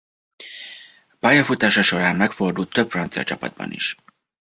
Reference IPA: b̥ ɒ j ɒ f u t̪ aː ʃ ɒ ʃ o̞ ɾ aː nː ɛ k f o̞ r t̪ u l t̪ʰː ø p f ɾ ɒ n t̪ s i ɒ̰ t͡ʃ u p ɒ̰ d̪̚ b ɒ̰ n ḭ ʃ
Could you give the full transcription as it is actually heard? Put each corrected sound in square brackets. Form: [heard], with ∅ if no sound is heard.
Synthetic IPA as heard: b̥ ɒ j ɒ f u t̪ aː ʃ ɒ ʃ o̞ ɾ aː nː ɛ k f o̞ r [d̪] u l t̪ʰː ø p f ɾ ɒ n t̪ s i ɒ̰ t͡ʃ [ɒ] p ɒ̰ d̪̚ b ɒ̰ n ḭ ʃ

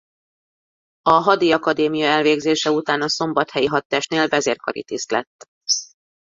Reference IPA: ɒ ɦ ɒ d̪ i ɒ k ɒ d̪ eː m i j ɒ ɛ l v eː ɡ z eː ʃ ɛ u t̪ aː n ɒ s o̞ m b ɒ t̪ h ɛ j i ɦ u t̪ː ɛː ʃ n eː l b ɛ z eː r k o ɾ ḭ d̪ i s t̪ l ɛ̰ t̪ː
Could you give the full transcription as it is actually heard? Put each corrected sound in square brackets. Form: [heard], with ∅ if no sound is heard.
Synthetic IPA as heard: ɒ ɦ ɒ d̪ i ɒ k ɒ d̪ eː m i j ɒ ɛ l v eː ɡ z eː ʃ ɛ u t̪ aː n ɒ s o̞ m b ɒ t̪ h ɛ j i ɦ [ɒ] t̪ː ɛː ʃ n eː l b ɛ z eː r k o ɾ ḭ [t̪] i s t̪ l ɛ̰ t̪ː

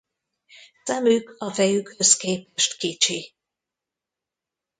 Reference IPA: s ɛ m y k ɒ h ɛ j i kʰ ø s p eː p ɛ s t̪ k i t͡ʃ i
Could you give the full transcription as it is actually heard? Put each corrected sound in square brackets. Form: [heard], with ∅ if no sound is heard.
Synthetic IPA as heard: s ɛ m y k ɒ [f] ɛ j [y] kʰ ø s [k] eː p ɛ [ʃ] t̪ k i t͡ʃ i

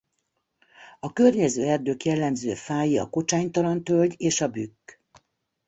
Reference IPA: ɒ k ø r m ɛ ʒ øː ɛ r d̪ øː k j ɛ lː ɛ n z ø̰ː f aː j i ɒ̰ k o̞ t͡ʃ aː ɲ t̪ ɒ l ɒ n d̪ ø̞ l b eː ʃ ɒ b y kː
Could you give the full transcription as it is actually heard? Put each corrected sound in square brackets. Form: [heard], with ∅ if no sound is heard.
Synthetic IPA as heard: ɒ k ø r [ɲ] ɛ [z] øː ɛ r d̪ øː k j ɛ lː ɛ [m] z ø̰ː f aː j i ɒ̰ k o̞ t͡ʃ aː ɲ t̪ ɒ l ɒ n [t̪] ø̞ l [ɟ] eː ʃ ɒ b y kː

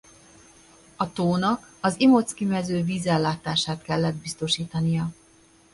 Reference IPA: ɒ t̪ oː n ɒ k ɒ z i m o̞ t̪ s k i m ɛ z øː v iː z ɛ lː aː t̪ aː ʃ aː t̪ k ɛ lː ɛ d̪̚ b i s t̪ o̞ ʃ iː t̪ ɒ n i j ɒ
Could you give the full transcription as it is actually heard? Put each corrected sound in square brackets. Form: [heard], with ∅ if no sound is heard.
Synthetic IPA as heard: ɒ t̪ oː n ɒ k ɒ z i m o̞ t̪ s k i m ɛ z øː v iː z ɛ lː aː t̪ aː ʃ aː t̪ k ɛ lː ɛ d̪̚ b i s t̪ o̞ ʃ iː t̪ ɒ n i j ɒ

